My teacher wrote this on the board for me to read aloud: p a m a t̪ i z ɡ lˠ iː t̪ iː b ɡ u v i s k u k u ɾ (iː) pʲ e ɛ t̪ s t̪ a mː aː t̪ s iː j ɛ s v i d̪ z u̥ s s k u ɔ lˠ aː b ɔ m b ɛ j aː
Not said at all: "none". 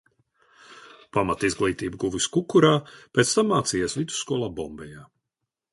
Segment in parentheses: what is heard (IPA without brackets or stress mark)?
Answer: aː